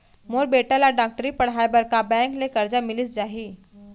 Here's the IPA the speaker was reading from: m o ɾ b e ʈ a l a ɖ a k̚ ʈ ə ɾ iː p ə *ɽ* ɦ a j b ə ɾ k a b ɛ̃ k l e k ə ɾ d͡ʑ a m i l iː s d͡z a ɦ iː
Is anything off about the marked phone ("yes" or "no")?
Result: no